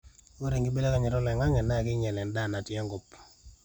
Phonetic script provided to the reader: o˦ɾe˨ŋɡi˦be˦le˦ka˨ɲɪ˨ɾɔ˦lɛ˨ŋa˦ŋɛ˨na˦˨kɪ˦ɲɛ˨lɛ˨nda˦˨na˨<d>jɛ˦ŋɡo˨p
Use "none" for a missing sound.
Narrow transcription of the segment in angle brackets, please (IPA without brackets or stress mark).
t